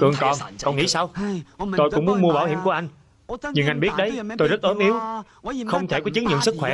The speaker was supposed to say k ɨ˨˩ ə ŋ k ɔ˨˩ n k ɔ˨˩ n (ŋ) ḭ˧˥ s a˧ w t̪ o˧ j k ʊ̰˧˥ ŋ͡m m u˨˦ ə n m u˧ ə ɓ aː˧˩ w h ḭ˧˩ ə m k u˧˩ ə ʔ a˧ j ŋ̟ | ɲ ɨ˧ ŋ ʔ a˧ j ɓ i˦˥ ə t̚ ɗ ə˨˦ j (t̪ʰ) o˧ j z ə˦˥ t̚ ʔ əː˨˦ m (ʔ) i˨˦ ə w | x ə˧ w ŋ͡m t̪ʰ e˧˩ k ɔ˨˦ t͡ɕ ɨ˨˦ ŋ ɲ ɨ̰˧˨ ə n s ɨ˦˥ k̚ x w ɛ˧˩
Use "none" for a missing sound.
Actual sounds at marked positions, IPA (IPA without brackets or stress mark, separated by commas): ŋ, t̪, ʔ